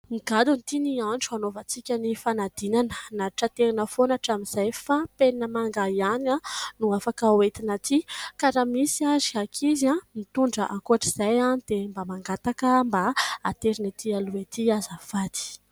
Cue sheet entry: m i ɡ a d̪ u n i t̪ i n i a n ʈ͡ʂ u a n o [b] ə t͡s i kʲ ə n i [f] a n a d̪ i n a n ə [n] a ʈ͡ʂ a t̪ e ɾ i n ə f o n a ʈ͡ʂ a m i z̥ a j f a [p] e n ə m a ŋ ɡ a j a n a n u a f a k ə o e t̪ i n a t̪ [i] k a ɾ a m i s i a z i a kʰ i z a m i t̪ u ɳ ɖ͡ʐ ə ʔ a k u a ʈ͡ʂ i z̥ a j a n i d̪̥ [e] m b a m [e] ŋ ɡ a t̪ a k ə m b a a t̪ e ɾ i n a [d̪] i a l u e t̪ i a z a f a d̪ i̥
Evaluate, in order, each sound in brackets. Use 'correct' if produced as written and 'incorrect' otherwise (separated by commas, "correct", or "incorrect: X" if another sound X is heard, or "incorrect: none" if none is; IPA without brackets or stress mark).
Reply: incorrect: v, correct, correct, correct, correct, correct, incorrect: a, incorrect: t̪